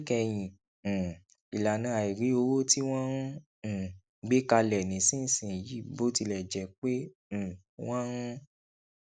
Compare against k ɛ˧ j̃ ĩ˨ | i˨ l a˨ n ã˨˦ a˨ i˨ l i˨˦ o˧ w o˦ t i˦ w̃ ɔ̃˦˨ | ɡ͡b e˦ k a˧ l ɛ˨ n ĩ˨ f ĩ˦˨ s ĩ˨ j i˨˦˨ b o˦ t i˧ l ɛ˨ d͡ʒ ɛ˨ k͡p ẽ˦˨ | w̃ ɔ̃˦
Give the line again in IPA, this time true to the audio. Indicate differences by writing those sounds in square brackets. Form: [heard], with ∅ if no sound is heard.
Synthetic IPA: k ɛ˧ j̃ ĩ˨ | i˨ l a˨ n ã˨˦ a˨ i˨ [ɾ] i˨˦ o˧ w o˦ t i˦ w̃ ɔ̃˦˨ | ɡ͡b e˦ k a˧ l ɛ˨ n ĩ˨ [s] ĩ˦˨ s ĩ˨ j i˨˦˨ b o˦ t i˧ l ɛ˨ d͡ʒ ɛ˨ k͡p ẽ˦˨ | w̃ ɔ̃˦